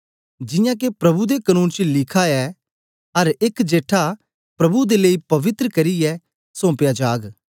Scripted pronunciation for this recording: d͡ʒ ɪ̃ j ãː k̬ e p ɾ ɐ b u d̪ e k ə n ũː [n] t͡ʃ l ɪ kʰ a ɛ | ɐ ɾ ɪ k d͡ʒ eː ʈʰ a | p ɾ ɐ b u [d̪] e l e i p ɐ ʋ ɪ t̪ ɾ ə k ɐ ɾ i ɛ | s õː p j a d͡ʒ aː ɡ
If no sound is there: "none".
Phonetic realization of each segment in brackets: n, d̪

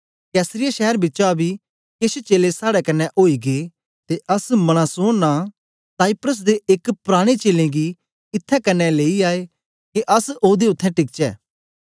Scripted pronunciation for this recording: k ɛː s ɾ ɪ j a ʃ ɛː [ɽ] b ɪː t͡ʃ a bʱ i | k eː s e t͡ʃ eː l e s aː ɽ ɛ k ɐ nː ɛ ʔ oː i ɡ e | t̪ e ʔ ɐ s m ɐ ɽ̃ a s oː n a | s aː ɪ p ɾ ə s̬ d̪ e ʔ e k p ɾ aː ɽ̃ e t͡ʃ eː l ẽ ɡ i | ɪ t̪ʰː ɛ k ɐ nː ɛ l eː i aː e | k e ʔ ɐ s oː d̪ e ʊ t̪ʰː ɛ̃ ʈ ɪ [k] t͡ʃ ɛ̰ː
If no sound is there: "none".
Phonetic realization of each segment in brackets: ɾ, k

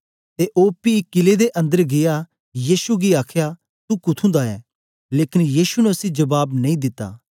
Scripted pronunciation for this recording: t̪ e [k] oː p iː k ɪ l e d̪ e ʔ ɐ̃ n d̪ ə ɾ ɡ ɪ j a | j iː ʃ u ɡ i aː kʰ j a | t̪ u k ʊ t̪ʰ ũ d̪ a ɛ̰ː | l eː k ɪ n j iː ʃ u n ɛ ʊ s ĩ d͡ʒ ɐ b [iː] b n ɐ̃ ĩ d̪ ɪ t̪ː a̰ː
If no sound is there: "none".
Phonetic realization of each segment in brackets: ʔ, aː

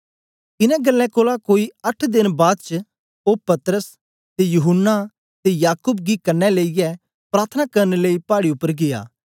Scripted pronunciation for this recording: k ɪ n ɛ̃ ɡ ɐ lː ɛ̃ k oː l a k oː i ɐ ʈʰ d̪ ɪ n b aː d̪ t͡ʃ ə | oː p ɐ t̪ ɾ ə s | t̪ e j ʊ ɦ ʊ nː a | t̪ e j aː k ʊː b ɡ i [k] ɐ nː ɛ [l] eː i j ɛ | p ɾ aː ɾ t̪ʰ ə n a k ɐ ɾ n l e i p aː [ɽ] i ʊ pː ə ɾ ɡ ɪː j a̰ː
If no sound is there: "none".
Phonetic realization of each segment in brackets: k, l, ɽ

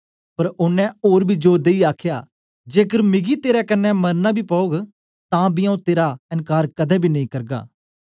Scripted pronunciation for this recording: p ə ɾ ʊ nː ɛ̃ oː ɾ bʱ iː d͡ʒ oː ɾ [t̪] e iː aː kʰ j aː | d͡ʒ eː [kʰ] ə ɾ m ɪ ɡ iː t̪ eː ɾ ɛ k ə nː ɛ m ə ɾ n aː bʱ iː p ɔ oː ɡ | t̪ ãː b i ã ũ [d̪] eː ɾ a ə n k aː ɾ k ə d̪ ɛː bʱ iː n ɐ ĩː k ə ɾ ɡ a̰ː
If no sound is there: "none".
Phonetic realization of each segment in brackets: d̪, k, t̪

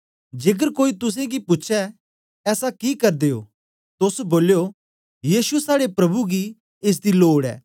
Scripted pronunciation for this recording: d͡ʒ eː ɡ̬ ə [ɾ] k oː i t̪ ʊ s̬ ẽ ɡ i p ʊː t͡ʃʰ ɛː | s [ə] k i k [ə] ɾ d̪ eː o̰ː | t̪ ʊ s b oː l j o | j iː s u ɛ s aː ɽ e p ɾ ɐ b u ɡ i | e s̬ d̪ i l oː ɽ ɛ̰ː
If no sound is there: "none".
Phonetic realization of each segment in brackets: ɾ, a, ɐ

